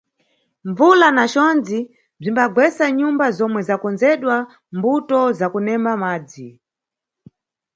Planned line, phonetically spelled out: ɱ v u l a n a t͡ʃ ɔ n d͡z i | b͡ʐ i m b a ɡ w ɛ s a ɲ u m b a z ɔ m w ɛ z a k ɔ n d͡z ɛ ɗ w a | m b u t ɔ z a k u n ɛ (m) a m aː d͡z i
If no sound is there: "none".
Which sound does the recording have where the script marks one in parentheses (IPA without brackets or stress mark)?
m